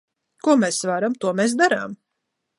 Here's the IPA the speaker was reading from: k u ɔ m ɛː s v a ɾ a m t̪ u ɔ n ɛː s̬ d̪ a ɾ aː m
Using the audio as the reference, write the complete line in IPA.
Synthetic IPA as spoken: k u ɔ m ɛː s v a ɾ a m t̪ u ɔ m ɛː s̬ d̪ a ɾ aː m

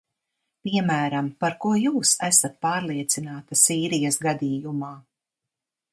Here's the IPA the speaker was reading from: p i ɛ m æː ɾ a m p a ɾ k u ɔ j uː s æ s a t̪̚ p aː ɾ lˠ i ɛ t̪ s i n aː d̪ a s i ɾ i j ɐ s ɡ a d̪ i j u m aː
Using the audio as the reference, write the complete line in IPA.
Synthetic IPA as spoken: p i ɛ m æː ɾ a m p a ɾ k u ɔ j uː s æ s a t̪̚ p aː ɾ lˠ i ɛ t̪ s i n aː t̪ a s iː ɾ i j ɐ s ɡ a d̪ iː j u m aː

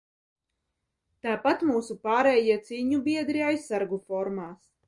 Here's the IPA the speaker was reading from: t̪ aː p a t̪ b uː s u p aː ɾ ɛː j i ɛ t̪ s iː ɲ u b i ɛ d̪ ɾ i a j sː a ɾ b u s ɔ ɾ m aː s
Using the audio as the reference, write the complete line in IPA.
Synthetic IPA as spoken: t̪ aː p a t̪ m uː s u p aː ɾ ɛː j i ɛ t̪ s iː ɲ u b i ɛ d̪ ɾ i a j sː a ɾ ɡ u f ɔ ɾ m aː s

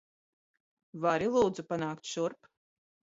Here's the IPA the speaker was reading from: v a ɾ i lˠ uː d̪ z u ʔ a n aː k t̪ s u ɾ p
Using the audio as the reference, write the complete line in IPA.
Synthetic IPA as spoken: v a ɾ i lˠ uː d̪ z u p a n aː k t̪ ʃ u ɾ p

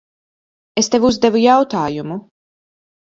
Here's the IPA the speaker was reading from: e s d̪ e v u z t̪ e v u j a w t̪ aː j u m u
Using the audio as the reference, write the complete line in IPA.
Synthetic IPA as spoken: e s t̪ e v u z d̪ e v u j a w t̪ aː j u m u

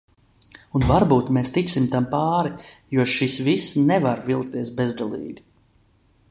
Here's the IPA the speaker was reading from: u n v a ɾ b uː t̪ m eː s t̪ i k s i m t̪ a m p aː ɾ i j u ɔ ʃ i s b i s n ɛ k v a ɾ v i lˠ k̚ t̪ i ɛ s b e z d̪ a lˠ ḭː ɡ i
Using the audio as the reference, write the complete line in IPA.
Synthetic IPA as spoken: u n v a ɾ b uː t̪ m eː s t̪ i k s i m t̪ a m p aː ɾ i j u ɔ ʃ i s v i s n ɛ v a ɾ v i lˠ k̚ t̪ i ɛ s b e z d̪ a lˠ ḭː ɡ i

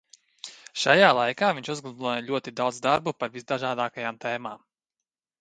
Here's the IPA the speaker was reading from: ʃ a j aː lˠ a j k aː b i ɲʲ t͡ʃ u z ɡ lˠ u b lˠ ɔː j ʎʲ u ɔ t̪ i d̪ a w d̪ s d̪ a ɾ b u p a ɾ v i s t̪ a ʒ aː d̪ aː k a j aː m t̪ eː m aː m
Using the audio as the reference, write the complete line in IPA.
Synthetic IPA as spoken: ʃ a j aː lˠ a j k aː v i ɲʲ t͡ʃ u z ɡ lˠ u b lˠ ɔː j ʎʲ u ɔ t̪ i d̪ a w d̪ z d̪ a ɾ b u p a ɾ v i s d̪ a ʒ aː d̪ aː k a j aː m t̪ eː m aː m

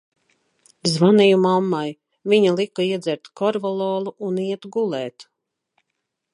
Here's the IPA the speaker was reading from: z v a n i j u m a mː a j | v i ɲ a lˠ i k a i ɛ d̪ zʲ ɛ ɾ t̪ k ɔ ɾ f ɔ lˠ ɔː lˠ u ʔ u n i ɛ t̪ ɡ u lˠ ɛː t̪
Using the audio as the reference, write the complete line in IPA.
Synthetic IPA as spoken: z v a n i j u m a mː a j | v i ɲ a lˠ i k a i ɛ d̪ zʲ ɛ ɾ t̪ k ɔ ɾ v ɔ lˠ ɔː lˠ u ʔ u n i ɛ t̪ ɡ u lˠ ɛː t̪

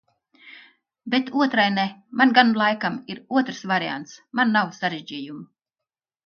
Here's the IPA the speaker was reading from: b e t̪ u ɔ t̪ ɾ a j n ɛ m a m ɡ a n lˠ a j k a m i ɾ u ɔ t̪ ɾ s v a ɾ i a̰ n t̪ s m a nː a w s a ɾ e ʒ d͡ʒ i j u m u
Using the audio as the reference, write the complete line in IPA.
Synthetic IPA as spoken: b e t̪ u ɔ t̪ ɾ a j n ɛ m a n ɡ a n lˠ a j k a m i ɾ u ɔ t̪ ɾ s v a ɾ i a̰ n t̪ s m a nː a w s a ɾ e ʒ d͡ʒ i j u m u

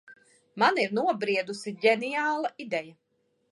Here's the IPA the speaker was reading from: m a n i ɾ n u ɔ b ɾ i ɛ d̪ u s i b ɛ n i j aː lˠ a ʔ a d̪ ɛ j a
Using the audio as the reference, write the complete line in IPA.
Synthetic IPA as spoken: m a n i ɾ n u ɔ b ɾ i ɛ d̪ u s i ɟ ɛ n i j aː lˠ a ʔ i d̪ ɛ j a

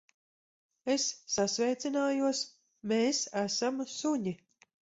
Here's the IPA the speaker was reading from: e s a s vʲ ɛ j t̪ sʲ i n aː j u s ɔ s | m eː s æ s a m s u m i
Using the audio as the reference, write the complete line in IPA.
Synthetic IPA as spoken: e sː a s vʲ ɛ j t̪ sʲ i n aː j u ɔ s | m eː s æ s a m s u ɲ i

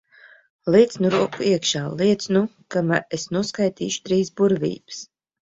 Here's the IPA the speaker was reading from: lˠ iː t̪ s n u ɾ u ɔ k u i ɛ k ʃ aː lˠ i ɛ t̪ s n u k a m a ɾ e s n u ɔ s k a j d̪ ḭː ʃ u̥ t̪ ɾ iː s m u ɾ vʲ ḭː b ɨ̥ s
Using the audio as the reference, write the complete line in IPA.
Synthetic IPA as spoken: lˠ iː t̪ s n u ɾ u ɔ k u i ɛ k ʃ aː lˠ i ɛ t̪ s n u k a m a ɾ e s n u ɔ s k a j t̪ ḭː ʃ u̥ t̪ ɾ iː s b u ɾ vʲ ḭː b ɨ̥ s

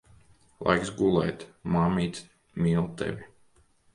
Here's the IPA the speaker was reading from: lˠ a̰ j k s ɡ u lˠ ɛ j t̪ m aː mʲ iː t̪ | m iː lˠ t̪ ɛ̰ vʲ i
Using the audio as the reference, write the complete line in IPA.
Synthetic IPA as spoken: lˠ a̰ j k s ɡ u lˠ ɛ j t̪ m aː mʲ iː t̪ | m iː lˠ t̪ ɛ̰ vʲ i

